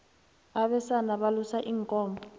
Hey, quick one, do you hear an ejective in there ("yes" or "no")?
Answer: yes